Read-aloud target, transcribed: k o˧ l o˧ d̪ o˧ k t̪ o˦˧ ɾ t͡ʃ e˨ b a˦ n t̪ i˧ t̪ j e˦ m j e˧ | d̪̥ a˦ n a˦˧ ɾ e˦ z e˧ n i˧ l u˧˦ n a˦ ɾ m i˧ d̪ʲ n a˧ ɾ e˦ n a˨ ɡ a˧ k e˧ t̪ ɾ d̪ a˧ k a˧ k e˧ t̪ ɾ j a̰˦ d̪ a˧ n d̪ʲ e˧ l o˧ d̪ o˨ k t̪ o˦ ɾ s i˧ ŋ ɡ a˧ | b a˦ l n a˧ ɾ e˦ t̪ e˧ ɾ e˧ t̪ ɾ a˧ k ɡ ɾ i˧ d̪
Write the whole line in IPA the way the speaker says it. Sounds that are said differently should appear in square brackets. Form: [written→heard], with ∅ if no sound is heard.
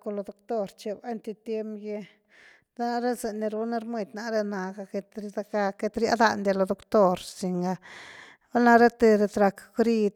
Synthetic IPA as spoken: k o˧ l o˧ d̪ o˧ k t̪ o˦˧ ɾ t͡ʃ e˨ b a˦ n t̪ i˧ t̪ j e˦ m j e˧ | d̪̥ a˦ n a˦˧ ɾ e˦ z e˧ n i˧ [l→ɾ] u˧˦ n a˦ ɾ m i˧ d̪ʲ n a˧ ɾ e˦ n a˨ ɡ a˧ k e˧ t̪ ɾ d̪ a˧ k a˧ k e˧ t̪ ɾ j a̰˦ d̪ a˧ n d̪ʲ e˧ l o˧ d̪ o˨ k t̪ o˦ ɾ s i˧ ŋ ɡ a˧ | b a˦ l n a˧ ɾ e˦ t̪ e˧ ɾ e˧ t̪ ɾ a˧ k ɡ ɾ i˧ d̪